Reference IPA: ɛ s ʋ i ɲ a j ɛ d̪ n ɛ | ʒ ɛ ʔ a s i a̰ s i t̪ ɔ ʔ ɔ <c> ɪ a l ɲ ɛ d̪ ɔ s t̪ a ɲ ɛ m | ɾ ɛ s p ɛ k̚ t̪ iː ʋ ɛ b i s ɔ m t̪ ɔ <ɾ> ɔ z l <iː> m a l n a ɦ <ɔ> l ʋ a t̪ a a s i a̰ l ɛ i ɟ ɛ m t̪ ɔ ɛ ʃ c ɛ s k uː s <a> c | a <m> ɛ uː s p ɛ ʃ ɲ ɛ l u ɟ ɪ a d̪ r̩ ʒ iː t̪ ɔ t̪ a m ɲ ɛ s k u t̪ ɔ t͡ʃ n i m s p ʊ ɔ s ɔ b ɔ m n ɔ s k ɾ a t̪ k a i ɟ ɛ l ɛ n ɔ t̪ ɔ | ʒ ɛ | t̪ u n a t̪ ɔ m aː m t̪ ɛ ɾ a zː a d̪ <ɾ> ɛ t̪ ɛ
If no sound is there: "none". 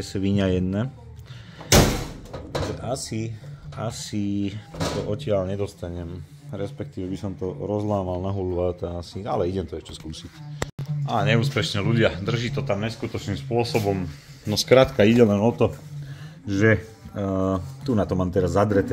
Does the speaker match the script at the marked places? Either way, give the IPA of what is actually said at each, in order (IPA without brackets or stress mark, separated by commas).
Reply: c, ɾ, aː, u, i, ɲ, ɾ